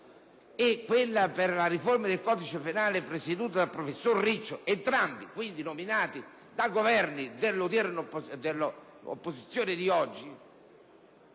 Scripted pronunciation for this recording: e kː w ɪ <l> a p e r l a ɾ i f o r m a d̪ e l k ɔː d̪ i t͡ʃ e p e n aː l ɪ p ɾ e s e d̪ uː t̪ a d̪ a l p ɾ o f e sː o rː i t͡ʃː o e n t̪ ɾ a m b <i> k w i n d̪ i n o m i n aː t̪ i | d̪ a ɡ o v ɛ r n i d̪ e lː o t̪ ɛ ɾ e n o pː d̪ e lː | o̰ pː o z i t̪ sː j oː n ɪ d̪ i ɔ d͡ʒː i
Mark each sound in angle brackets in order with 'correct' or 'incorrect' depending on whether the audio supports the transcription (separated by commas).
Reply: incorrect, correct